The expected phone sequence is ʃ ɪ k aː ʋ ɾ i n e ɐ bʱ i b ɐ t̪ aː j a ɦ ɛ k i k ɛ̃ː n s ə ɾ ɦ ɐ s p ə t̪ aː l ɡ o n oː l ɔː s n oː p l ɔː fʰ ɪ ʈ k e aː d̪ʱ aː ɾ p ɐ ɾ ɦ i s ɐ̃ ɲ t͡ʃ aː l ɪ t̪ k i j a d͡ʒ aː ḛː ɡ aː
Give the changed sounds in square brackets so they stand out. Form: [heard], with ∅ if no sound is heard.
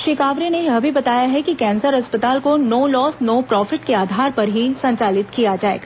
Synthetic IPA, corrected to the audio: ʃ ɪ k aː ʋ ɾ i n e ɐ bʱ i b ɐ t̪ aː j a ɦ ɛ k i k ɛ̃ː n s ə ɾ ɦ ɐ s p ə t̪ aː l [k] o n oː l ɔː s n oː p [ɾ] ɔː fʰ ɪ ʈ k e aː d̪ʱ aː ɾ p ɐ ɾ ɦ i s ɐ̃ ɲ t͡ʃ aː l ɪ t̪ k i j a d͡ʒ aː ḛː ɡ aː